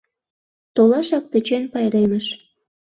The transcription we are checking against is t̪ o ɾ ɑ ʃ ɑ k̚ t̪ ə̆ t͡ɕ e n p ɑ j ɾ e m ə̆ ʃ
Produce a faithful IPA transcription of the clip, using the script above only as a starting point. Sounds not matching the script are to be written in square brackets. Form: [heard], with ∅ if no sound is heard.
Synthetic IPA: t̪ o [l] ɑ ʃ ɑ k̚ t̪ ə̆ t͡ɕ e n p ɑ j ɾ e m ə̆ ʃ